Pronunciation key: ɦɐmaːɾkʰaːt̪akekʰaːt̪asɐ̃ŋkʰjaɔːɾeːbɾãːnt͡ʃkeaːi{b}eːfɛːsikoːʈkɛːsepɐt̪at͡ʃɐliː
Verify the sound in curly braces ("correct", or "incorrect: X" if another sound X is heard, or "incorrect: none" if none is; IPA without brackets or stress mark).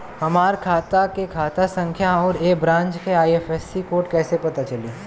incorrect: none